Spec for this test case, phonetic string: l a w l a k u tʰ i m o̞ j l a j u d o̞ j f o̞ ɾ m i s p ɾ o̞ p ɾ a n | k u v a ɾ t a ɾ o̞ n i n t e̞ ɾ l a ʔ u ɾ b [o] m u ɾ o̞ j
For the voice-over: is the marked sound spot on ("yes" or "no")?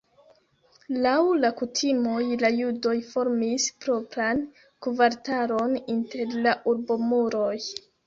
yes